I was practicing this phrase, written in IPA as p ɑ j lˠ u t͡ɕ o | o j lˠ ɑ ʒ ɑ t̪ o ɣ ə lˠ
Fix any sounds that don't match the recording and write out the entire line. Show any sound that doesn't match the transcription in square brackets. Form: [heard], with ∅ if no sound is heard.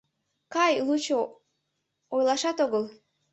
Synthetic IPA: [k] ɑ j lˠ u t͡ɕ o | o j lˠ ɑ [ʃ] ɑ t̪ o ɣ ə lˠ